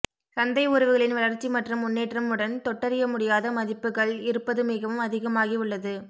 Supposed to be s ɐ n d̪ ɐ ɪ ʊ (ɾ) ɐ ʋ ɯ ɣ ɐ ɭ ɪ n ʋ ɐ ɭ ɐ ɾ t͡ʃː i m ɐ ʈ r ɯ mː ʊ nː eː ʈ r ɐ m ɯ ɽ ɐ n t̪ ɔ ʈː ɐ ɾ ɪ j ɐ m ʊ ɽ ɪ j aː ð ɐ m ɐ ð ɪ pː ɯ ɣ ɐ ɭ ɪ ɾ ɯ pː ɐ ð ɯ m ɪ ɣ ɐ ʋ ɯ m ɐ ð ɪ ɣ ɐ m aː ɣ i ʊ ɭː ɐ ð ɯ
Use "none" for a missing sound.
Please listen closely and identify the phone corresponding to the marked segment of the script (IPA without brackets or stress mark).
ɾ